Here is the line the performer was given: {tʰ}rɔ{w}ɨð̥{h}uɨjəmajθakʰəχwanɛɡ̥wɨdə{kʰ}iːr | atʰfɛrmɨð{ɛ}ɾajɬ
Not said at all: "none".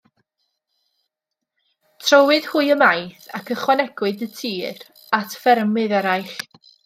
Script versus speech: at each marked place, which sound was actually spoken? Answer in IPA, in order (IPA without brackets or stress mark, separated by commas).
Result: tʰ, w, h, tʰ, ɛ